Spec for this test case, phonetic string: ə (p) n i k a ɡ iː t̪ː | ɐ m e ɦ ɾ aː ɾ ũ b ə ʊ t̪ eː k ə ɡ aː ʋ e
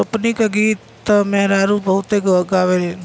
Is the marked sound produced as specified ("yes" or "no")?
yes